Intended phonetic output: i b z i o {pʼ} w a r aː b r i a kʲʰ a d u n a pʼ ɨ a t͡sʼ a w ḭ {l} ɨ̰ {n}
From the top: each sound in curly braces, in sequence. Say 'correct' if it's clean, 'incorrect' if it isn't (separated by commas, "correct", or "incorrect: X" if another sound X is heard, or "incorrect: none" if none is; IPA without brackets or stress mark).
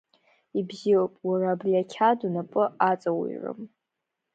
correct, incorrect: r, incorrect: m